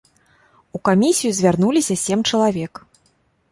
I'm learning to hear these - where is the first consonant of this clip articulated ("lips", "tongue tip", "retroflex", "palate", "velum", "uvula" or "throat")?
velum